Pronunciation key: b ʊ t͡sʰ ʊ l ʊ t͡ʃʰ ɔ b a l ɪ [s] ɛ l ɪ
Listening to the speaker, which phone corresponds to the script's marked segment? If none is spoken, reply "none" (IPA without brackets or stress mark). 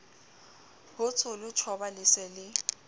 s